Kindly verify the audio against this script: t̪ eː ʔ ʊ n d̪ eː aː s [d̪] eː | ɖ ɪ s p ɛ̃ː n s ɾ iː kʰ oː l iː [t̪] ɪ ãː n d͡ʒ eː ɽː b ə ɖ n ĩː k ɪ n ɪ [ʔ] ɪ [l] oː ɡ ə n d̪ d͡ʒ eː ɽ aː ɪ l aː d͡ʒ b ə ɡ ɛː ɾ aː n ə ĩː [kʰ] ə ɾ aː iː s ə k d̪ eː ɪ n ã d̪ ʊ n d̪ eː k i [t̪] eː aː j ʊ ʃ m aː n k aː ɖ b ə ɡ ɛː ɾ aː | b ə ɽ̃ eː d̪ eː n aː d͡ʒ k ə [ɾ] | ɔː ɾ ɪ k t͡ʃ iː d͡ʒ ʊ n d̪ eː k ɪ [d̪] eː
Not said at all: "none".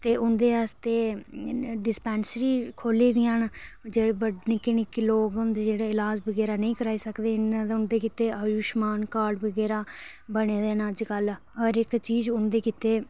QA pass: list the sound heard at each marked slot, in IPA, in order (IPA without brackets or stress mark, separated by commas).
t̪, d̪, k, l, k, t̪, l, t̪